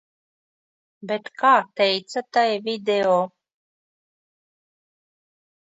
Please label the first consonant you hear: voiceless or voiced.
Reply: voiced